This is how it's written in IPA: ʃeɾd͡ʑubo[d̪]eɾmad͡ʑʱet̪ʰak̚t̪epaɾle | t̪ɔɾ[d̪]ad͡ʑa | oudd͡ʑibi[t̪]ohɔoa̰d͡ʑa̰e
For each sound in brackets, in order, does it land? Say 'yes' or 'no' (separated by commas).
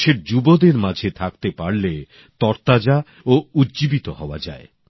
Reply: yes, no, yes